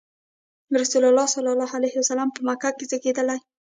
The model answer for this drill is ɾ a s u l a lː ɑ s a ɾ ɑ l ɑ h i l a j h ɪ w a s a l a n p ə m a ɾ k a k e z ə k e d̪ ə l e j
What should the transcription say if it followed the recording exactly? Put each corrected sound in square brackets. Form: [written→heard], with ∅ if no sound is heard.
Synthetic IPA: ɾ a s u l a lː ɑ s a [ɾ→l] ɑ l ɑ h [i→a] l a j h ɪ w a s a l a [n→m] p ə m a [ɾ→∅] k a k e z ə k e d̪ ə l [e→a] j

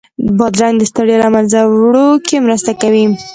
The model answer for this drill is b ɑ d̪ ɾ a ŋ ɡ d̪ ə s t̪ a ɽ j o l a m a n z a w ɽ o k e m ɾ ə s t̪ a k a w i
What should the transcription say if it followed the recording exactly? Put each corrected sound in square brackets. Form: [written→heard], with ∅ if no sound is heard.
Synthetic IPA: b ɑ d̪ ɾ a ŋ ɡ d̪ ə s t̪ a ɽ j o l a m a n z a w ɽ o k e m ɾ ə s t̪ a k a w i

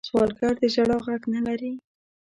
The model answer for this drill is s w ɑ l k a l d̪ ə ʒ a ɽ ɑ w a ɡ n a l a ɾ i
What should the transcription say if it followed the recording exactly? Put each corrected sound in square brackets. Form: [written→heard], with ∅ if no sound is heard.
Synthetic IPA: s w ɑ l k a [l→ɾ] d̪ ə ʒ a ɽ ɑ [w→ɣ] a ɡ n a l a ɾ i

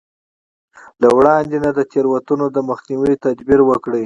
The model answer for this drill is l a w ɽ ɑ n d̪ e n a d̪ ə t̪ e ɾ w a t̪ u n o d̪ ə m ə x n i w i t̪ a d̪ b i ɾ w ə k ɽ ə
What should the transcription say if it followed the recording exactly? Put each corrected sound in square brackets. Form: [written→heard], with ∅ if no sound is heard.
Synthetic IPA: l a w ɽ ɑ n d̪ e n a d̪ ə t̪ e ɾ w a t̪ u n o d̪ ə m ə x n i w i t̪ a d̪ b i ɾ w ə k ɽ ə

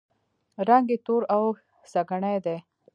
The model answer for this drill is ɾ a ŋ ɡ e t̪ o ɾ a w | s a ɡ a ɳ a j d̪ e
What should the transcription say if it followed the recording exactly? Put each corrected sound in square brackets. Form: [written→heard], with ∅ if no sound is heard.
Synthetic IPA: ɾ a ŋ ɡ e t̪ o ɾ a w | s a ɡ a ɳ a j d̪ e

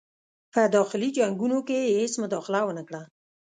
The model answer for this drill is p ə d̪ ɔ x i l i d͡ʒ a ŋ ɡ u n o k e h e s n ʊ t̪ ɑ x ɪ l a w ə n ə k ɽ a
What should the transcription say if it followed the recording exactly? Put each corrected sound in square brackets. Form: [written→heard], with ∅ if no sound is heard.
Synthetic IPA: p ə d̪ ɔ x [i→ɪ] l i d͡ʒ a ŋ ɡ u n o k e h e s [n→m] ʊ [t̪→d̪] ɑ x ɪ l a w ə n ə k ɽ a

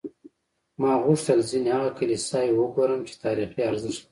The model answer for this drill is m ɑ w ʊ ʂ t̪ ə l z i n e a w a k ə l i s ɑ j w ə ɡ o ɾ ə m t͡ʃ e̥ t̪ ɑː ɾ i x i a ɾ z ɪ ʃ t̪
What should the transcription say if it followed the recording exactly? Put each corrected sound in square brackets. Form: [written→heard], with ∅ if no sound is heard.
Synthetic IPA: m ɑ [w→ɣ] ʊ ʂ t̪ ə l z i n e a [w→ɣ] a k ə l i s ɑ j w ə ɡ o ɾ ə m t͡ʃ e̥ t̪ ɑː ɾ i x i a ɾ z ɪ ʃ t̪

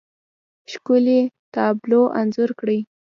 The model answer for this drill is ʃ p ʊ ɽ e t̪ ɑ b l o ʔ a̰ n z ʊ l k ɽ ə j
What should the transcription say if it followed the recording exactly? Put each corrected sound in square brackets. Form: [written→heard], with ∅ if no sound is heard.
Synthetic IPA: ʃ [p→k] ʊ [ɽ→l] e t̪ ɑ b l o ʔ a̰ n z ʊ [l→ɾ] k ɽ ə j

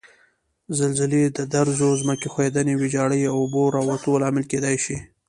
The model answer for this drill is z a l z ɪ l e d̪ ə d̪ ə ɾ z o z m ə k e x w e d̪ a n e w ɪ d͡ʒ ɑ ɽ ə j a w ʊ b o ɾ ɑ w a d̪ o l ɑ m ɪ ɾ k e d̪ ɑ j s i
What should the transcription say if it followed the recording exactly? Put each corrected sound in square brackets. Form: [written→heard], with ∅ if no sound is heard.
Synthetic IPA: z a l z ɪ l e d̪ ə d̪ [ə→a] ɾ z o z m ə k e x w e d̪ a n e w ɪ d͡ʒ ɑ ɽ ə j a w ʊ b o ɾ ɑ w a [d̪→t̪] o l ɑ m ɪ [ɾ→l] k e d̪ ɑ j [s→ʃ] i

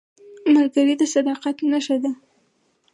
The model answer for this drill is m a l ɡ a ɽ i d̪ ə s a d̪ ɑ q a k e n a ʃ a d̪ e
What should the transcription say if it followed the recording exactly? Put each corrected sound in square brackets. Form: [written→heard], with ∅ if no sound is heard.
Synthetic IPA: m a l ɡ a [ɽ→ɾ] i d̪ ə s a d̪ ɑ q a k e n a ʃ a d̪ [e→a]

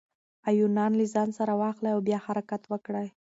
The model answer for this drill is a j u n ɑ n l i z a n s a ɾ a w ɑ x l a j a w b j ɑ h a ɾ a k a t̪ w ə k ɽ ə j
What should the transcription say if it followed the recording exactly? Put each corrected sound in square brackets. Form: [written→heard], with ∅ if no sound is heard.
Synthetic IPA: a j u n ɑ n l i z [a→ɑ] n s a ɾ a w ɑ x l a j a w b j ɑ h a ɾ a k a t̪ w ə k ɽ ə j

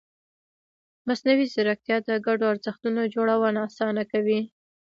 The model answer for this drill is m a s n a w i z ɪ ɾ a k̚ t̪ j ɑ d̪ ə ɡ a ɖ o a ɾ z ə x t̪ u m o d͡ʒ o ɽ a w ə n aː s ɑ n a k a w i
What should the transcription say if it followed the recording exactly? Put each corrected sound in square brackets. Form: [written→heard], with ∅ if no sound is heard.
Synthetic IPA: m a s n a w i z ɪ ɾ a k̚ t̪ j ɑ d̪ ə ɡ a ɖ o a ɾ z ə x t̪ u [m→n] o d͡ʒ o ɽ a w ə n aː s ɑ n a k a w i

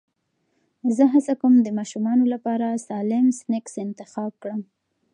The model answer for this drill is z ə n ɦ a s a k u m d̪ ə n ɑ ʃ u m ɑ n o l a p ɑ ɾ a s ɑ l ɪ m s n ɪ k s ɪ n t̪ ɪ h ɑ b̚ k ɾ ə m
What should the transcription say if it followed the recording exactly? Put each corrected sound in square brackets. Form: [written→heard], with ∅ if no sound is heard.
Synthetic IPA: z ə [n→∅] ɦ a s a k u m d̪ ə [n→m] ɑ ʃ u m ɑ n o l a p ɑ ɾ a s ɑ l ɪ m s n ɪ k s ɪ n t̪ ɪ [h→x] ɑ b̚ k [ɾ→ɽ] ə m

